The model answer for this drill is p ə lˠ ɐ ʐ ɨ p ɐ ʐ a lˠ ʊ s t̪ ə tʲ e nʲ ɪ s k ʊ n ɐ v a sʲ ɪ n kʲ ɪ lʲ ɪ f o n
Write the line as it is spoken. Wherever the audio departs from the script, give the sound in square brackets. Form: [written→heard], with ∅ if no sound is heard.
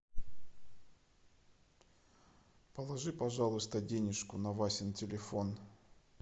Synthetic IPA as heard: p ə lˠ ɐ ʐ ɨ p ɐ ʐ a lˠ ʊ s t̪ ə [tʲ→dʲ] e nʲ ɪ [s→ʂ] k ʊ n ɐ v a sʲ ɪ n [kʲ→tʲ] ɪ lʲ ɪ f o n